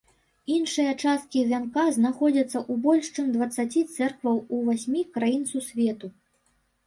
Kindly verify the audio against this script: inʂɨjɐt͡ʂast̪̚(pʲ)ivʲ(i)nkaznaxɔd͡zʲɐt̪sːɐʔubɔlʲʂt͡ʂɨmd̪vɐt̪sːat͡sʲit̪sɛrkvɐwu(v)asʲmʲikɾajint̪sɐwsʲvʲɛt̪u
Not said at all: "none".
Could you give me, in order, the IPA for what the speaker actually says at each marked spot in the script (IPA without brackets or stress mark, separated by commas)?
kʲ, a, v